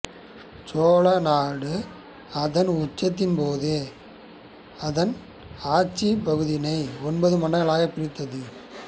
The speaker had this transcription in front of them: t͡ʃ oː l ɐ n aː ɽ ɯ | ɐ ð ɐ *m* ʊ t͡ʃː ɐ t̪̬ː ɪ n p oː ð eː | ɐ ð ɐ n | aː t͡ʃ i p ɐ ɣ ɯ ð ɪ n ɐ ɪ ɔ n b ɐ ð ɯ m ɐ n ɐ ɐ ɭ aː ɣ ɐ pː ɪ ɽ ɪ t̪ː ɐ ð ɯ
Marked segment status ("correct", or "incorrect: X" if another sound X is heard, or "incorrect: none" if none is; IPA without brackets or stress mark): incorrect: n